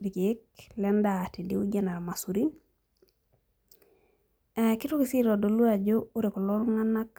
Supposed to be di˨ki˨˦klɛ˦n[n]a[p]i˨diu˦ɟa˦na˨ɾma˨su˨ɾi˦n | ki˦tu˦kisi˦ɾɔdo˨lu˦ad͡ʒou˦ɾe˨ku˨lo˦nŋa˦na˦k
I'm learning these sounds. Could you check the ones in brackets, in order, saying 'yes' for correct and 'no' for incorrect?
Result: no, no

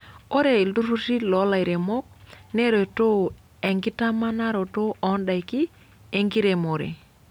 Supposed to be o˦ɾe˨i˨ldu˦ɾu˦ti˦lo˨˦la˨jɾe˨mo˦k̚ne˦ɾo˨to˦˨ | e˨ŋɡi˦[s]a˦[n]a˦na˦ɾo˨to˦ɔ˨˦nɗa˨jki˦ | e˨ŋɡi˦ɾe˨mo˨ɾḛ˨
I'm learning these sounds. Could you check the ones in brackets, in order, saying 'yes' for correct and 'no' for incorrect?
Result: no, no

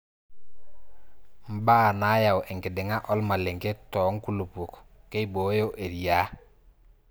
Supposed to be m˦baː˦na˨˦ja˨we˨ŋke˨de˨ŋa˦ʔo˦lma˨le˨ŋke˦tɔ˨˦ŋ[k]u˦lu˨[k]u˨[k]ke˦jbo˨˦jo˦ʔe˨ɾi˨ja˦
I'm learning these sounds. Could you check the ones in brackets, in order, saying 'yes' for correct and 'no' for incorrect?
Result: yes, no, yes

